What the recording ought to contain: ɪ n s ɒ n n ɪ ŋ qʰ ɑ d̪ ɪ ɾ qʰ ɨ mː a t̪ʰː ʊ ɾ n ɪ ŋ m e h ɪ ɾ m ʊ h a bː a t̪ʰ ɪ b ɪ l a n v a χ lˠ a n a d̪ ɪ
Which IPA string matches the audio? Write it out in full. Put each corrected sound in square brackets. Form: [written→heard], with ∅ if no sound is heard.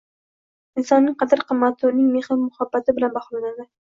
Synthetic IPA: ɪ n s ɒ n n ɪ ŋ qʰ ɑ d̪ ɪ ɾ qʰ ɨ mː a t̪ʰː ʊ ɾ n ɪ ŋ m e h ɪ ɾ m ʊ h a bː a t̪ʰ ɪ b ɪ l a n [v→b] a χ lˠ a n a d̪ ɪ